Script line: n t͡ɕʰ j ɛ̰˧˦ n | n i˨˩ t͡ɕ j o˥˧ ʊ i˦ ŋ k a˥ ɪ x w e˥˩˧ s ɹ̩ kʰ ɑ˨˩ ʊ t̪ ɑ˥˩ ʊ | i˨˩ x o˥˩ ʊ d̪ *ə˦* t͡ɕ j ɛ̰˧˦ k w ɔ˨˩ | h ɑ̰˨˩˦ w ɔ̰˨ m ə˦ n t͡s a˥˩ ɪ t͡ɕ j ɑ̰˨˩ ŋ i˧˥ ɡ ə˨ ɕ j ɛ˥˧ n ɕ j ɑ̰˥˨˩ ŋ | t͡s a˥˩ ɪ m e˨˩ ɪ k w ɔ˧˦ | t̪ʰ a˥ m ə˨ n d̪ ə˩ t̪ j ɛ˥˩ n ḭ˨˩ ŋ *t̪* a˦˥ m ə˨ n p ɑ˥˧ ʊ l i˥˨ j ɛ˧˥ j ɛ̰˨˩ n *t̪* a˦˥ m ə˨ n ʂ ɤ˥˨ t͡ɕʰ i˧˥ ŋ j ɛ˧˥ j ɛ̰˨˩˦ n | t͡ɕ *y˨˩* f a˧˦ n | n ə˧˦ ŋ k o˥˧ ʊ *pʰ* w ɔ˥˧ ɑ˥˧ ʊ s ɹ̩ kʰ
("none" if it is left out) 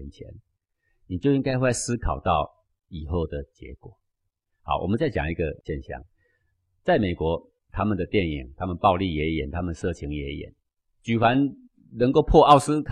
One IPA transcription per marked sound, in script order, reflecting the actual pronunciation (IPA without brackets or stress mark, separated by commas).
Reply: ə˩, t̪ʰ, t̪ʰ, y˨˩, pʰ